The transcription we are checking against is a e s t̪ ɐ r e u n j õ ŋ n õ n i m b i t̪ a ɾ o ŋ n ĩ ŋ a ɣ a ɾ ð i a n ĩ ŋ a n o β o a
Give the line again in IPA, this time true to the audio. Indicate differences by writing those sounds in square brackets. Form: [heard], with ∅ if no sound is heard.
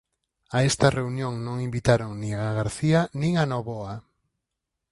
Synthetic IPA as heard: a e s t̪ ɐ r e u n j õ ŋ n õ [ŋ] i m b i t̪ a ɾ o ŋ n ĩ ŋ a ɣ a ɾ [θ] i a n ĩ ŋ a n o β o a